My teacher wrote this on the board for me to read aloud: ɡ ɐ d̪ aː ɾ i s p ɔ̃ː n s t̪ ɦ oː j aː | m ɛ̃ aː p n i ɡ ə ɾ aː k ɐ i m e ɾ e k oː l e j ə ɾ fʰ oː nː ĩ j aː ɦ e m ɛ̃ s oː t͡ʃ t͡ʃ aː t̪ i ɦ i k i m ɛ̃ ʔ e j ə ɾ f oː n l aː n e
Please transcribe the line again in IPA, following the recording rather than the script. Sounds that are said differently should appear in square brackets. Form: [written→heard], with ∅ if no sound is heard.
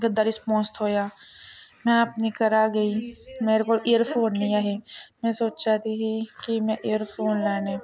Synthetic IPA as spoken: ɡ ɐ d̪ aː ɾ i s p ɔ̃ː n s t̪ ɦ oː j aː | m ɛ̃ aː p n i [ɡ→k] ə ɾ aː [k→ɡ] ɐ i m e ɾ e k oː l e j ə ɾ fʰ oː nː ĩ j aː ɦ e m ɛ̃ s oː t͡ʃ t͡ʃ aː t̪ i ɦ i k i m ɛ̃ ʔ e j ə ɾ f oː n l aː n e